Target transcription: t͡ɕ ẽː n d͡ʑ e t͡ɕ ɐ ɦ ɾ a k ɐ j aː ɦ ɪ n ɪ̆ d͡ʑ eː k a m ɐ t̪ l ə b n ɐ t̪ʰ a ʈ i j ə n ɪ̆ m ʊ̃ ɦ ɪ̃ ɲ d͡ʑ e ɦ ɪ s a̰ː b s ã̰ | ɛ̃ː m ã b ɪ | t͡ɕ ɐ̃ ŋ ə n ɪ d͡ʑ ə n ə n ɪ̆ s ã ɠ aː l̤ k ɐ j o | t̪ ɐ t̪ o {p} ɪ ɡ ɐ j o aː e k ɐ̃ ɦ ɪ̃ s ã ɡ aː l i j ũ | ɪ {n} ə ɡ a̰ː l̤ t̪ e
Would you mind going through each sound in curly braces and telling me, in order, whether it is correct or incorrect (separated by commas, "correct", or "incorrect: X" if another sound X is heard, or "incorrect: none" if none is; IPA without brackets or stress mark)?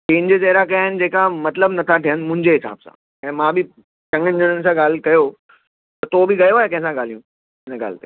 incorrect: b, correct